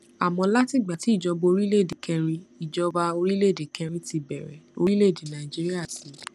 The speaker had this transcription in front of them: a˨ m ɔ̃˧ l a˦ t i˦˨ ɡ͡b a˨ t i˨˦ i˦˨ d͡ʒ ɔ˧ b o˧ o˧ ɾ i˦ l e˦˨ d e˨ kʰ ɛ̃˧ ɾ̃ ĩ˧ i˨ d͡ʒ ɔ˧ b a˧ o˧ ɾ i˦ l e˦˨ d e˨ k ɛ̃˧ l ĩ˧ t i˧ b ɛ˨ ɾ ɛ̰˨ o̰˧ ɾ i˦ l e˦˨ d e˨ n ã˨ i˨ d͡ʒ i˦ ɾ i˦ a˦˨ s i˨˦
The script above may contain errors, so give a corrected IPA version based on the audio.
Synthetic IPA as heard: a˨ m ɔ̃˧ l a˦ t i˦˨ ɡ͡b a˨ t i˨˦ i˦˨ d͡ʒ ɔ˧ b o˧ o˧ ɾ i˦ l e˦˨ d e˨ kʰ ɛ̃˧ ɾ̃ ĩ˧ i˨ d͡ʒ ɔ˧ b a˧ o˧ ɾ i˦ l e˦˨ d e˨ k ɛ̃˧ ɾ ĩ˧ t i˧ b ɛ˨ ɾ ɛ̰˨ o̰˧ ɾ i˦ l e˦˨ d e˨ n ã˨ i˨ d͡ʒ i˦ ɾ i˦ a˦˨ s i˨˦